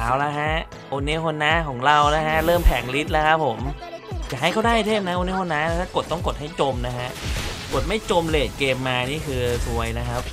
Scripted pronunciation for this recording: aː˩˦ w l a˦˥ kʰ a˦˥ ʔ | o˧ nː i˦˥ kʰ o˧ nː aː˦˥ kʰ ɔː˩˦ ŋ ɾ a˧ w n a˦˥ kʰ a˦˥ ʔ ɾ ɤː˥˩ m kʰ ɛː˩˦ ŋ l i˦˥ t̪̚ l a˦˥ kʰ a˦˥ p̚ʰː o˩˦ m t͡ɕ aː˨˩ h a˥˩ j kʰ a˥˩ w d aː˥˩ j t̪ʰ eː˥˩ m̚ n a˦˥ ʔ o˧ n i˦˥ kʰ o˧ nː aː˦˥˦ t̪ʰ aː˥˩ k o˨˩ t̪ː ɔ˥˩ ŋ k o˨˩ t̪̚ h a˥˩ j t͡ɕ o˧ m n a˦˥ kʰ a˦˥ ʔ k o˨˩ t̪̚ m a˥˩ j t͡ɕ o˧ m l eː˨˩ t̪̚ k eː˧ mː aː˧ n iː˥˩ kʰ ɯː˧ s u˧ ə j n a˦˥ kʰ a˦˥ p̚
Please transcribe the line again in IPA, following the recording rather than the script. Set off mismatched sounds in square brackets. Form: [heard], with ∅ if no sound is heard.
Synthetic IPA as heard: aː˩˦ w l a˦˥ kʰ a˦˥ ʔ | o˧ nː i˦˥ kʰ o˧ nː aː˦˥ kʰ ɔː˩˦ ŋ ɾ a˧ w n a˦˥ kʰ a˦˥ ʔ ɾ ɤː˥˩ m [pʰ] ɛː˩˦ ŋ l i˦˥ t̪̚ l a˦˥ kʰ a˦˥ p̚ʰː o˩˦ m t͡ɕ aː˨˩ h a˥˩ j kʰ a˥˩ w d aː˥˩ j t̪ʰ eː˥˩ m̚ n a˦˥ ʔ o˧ n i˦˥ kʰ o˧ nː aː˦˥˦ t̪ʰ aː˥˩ k o˨˩ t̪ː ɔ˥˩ ŋ k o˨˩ t̪̚ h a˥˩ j t͡ɕ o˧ m n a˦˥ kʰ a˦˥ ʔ k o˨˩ t̪̚ m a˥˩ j t͡ɕ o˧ m l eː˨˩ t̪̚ k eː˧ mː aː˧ n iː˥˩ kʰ ɯː˧ s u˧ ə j n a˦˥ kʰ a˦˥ p̚